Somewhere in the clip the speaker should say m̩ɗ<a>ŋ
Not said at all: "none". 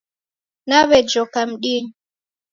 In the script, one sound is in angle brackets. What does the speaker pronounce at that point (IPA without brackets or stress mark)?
i